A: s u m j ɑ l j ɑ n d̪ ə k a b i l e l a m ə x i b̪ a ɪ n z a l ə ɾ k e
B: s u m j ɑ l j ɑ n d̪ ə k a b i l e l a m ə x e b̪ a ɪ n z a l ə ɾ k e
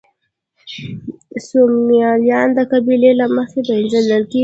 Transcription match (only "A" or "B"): B